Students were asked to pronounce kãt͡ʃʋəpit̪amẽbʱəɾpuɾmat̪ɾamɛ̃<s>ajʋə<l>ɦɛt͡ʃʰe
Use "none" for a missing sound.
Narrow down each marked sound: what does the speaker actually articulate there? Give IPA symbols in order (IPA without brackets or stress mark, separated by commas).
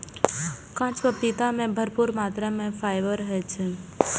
f, ɾ